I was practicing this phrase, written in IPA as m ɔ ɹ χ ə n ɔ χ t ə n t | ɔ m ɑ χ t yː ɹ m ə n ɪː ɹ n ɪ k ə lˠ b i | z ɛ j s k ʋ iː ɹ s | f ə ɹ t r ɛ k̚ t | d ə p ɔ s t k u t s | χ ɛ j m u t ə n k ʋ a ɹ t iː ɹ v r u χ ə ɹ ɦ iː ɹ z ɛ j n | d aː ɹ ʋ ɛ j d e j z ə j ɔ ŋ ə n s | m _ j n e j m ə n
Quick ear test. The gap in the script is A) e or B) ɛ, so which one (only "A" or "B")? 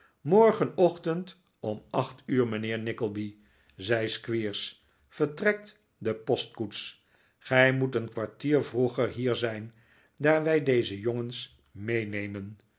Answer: A